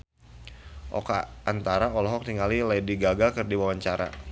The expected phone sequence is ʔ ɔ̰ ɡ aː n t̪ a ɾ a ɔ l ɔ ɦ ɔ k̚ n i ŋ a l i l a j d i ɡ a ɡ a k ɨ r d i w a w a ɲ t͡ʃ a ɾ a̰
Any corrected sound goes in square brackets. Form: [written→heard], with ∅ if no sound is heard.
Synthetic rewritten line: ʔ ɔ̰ [ɡ→k] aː n t̪ a ɾ a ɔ l ɔ ɦ ɔ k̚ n i ŋ a l i l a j d i ɡ a ɡ a k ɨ r d i w a w a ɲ t͡ʃ a ɾ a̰